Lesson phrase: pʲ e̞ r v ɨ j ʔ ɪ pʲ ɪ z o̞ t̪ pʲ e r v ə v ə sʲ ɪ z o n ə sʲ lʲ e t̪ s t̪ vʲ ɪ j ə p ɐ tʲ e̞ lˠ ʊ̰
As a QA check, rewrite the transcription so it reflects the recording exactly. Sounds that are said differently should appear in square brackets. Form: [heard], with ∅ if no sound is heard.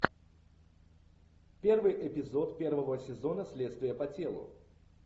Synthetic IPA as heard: pʲ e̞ r v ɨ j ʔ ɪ pʲ ɪ z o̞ t̪ pʲ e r v ə v ə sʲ ɪ z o n ə sʲ lʲ e t̪ s t̪ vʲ ɪ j ə p ɐ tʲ e̞ lˠ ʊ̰